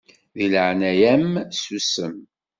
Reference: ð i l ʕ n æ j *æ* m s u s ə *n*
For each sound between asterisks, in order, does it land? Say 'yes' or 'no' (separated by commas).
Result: yes, no